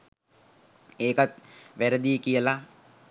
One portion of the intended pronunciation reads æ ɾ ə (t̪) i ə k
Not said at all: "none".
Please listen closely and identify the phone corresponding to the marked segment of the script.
d̪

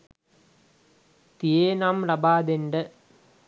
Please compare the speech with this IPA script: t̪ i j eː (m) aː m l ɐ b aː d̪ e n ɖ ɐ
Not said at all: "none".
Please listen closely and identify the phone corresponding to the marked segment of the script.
n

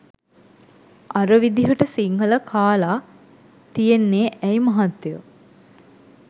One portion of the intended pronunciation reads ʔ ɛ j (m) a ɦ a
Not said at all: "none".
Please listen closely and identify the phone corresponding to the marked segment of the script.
m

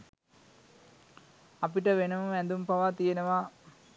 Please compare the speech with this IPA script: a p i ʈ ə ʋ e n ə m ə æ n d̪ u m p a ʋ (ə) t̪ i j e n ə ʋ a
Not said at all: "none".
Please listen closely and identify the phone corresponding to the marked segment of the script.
a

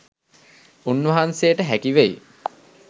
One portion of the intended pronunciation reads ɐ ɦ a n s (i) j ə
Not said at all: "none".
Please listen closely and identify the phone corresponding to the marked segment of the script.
e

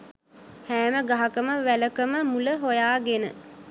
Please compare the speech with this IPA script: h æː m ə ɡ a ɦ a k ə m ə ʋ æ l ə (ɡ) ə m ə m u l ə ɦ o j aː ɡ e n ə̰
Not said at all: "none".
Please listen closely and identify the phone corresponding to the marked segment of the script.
k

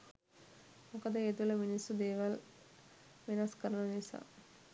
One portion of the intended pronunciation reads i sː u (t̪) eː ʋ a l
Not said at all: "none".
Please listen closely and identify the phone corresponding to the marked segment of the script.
d̪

